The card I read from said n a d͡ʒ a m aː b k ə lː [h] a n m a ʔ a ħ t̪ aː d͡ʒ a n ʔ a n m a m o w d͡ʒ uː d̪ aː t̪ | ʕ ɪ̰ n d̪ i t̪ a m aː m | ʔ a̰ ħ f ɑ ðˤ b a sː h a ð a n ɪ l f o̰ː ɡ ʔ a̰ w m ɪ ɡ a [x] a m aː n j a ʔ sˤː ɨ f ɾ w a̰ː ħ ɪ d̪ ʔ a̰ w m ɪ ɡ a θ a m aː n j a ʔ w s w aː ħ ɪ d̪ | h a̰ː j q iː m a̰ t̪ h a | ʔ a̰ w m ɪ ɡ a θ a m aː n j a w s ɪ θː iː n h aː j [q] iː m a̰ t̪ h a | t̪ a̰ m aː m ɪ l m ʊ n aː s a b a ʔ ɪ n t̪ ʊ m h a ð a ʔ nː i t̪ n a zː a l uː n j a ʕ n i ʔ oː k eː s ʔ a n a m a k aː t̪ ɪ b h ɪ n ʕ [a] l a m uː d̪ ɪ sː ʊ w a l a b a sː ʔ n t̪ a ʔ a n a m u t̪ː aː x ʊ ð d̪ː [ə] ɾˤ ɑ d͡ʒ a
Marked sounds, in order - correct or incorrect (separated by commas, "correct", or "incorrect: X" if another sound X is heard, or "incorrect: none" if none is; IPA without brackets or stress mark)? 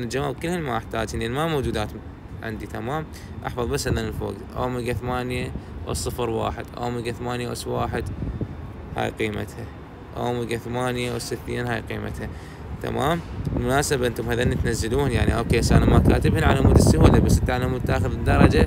correct, incorrect: θ, correct, correct, incorrect: ɑ